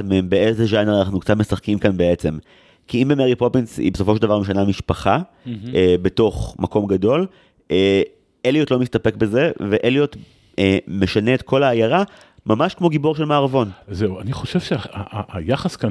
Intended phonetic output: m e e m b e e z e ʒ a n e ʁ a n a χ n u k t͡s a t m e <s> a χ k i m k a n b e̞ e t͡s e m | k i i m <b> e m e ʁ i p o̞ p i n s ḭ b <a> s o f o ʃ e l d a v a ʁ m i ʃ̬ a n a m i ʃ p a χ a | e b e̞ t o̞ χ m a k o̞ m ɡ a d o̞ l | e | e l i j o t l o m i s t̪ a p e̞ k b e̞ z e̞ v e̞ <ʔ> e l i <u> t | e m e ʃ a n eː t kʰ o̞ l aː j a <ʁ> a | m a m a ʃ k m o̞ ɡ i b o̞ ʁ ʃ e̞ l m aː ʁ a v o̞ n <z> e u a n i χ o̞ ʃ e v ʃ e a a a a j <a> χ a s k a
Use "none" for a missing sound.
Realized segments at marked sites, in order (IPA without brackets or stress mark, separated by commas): s, b, e, ʔ, o, ʁ, z, a